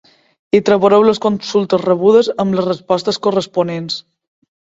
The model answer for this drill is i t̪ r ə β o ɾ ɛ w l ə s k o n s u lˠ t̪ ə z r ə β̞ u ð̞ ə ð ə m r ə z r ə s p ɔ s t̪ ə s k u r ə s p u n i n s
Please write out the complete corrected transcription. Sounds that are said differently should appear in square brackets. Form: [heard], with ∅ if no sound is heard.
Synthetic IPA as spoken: i t̪ [ɾ] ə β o ɾ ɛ w l ə s k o n s u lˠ t̪ ə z r ə β̞ u ð̞ ə [z] ə m [l] ə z r ə s p ɔ s t̪ ə s k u r ə s p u n [e] n s